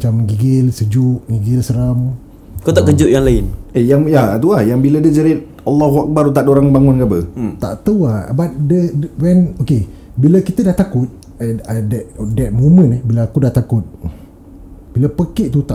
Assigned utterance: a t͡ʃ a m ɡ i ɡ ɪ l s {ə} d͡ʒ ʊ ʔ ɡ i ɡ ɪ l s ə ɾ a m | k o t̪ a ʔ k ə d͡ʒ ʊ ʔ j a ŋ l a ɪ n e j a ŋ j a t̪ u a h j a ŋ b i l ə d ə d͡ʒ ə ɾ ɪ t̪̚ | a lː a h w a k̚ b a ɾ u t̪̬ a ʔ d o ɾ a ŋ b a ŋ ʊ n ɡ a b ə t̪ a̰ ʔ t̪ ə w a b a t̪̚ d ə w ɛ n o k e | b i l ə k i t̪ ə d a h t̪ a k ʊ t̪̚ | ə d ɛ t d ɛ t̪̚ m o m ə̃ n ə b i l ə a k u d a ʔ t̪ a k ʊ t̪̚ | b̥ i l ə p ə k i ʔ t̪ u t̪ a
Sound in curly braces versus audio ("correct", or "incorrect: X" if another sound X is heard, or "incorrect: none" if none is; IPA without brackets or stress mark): correct